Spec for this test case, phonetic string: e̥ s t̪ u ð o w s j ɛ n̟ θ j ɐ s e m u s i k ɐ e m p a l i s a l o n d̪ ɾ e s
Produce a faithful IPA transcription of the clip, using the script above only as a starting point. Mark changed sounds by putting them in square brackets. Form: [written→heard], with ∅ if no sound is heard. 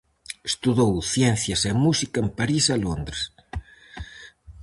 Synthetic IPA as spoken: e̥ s t̪ u ð o w [s→θ] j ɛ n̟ θ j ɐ s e m u s i k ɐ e m p a [l→ɾ] i s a l o n d̪ ɾ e s